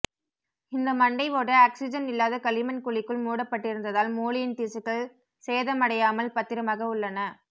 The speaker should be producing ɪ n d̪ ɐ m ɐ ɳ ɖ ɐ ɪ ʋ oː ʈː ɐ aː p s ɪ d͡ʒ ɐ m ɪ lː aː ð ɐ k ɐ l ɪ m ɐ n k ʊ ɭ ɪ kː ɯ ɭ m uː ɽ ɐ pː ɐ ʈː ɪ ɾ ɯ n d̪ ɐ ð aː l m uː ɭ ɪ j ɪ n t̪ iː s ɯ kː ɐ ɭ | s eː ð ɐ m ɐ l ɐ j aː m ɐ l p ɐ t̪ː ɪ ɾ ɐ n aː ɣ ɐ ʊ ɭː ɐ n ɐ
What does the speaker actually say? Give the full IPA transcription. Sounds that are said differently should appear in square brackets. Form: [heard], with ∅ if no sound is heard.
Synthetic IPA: ɪ n d̪ ɐ m ɐ ɳ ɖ ɐ ɪ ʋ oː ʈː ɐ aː [k] s ɪ d͡ʒ ɐ [n] ɪ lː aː ð ɐ k ɐ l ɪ m ɐ n k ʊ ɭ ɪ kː ɯ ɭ m uː ɽ ɐ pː ɐ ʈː ɪ ɾ ɯ n d̪ ɐ ð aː l m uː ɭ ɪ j ɪ n t̪ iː s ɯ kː ɐ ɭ | s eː ð ɐ m ɐ [ɽ] ɐ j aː m ɐ l p ɐ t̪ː ɪ ɾ ɐ [m] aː ɣ ɐ ʊ ɭː ɐ n ɐ